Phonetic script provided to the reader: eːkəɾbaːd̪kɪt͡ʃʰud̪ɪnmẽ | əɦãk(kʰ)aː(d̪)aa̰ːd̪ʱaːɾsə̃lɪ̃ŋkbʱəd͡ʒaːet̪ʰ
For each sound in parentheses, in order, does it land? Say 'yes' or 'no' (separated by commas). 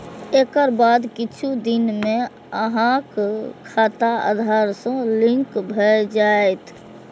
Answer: yes, no